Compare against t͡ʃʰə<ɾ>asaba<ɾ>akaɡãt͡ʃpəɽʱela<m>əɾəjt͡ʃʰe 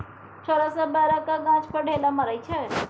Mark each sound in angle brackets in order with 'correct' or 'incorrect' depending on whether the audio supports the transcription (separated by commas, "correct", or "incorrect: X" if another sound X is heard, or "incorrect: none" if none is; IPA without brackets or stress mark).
correct, correct, correct